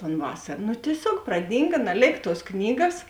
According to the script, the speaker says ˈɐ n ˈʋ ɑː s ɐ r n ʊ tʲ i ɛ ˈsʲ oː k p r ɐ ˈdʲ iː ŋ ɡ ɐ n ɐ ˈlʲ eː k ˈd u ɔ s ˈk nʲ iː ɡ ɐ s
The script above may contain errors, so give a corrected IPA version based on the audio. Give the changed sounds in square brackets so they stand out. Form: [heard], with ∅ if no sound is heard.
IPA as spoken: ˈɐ n ˈʋ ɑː s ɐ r n ʊ tʲ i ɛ ˈsʲ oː k p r ɐ ˈdʲ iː ŋ ɡ ɐ n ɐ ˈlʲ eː k [ˈt] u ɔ s ˈk nʲ iː ɡ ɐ s